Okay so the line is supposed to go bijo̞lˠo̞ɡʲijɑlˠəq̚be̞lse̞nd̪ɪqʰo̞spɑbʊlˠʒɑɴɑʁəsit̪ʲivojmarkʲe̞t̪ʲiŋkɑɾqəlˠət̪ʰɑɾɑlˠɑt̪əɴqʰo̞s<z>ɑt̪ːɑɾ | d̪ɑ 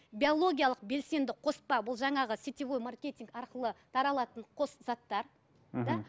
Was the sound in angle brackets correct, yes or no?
yes